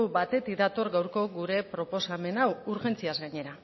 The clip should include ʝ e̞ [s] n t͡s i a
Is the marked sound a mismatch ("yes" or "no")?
yes